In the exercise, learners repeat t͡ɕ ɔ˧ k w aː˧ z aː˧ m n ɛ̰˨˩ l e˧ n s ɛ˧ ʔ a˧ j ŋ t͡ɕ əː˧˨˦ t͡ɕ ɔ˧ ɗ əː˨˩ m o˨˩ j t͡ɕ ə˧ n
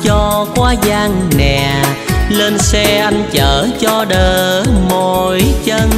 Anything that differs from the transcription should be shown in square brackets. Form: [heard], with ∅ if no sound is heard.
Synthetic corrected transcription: t͡ɕ ɔ˧ k w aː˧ z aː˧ [ŋ] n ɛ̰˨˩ l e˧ n s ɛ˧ ʔ a˧ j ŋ t͡ɕ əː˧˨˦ t͡ɕ ɔ˧ ɗ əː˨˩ m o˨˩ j t͡ɕ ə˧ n